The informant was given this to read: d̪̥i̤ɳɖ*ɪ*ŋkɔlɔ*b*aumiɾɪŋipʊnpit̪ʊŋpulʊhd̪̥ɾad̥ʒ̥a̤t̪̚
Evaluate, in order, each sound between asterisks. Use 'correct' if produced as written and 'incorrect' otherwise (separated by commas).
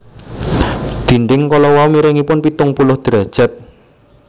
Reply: correct, incorrect